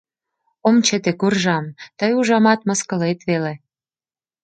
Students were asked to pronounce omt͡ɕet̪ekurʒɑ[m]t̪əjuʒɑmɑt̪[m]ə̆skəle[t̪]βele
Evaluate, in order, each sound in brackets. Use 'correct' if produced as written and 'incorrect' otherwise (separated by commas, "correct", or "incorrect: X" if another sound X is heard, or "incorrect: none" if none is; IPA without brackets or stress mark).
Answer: correct, correct, correct